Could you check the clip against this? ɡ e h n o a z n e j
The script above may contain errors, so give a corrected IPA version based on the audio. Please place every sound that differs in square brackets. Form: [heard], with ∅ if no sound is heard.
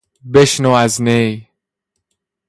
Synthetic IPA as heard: [b] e [ʃ] n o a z n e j